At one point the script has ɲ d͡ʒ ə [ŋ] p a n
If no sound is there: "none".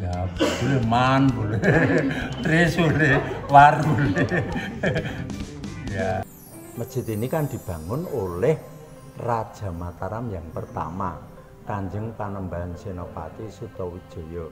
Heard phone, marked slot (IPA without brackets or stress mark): ŋ